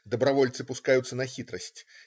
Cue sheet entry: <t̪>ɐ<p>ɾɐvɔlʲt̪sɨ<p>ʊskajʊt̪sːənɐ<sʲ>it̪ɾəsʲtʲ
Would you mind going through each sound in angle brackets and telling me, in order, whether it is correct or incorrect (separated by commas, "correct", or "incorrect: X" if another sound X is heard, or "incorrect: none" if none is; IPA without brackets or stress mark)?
incorrect: d̪, incorrect: b, correct, incorrect: xʲ